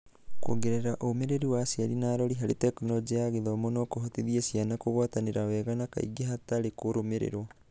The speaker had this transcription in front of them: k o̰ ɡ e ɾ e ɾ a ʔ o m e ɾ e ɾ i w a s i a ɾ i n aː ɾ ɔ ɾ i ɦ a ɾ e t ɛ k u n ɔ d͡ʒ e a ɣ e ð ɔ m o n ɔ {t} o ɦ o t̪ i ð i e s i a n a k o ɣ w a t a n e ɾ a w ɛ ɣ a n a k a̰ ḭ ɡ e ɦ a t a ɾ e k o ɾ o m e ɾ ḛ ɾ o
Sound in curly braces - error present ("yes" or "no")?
yes